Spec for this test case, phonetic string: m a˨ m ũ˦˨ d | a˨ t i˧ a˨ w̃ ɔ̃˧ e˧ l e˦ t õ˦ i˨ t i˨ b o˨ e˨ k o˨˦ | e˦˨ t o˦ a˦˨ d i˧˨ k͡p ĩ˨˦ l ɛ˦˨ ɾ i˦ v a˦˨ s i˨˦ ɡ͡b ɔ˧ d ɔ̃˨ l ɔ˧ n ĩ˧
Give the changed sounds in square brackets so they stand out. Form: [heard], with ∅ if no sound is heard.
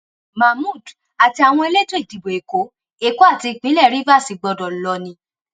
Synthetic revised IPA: m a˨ m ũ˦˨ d | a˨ t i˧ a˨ w̃ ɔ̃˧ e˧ l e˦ t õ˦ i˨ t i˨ b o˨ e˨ k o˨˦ | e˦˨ [k] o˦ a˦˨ [t] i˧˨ k͡p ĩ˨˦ l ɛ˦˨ ɾ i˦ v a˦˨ s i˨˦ ɡ͡b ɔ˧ d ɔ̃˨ l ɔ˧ n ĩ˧